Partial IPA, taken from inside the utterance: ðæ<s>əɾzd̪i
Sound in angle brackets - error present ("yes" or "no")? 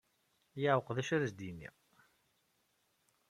yes